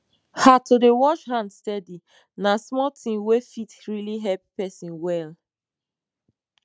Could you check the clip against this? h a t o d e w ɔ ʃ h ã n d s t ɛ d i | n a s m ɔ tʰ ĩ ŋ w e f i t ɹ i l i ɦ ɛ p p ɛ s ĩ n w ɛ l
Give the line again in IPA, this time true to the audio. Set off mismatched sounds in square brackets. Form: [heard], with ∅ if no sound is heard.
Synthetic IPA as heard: h a t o d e w ɔ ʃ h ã n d s t ɛ d i | n a s m ɔ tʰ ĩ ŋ w e f i t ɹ i l i ɦ ɛ p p ɛ s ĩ n w ɛ l